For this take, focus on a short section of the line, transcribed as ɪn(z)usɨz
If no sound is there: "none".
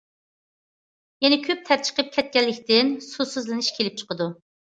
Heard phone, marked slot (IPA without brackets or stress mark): s